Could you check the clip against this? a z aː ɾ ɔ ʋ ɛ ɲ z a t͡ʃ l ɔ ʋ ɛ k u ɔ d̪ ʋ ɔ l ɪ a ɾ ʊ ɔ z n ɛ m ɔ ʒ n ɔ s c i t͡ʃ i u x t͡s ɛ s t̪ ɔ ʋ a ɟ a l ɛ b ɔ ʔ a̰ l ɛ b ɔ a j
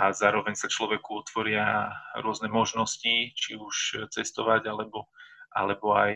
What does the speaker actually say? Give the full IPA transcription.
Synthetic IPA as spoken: a z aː ɾ ɔ ʋ ɛ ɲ s a t͡ʃ l ɔ ʋ ɛ k u ɔ t̪ ʋ ɔ ɾ ɪ a ɾ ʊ ɔ z n ɛ m ɔ ʒ n ɔ s c i t͡ʃ i u ʃ t͡s ɛ s t̪ ɔ ʋ a ɟ a l ɛ b ɔ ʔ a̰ l ɛ b ɔ a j